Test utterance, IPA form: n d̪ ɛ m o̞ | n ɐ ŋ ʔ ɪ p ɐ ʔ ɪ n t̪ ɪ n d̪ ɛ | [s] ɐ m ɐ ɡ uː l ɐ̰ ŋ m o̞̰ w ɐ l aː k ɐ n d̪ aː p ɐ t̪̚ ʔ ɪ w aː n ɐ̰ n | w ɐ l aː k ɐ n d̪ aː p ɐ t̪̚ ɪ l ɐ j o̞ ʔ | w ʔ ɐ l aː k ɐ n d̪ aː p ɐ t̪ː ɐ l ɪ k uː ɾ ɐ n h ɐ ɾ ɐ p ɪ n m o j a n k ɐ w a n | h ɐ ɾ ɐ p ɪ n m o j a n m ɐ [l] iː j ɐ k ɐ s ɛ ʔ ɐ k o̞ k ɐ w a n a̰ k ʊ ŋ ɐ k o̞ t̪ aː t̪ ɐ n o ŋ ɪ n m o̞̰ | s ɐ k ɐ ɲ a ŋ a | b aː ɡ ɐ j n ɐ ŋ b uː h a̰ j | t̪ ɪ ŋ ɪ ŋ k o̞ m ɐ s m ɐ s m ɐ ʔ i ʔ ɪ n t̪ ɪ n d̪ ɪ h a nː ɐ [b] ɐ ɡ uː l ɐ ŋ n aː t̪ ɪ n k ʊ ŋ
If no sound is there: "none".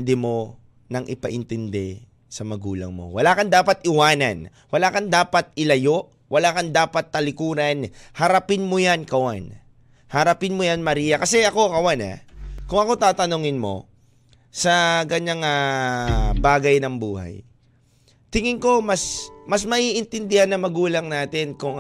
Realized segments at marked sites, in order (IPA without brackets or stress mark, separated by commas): s, ɾ, m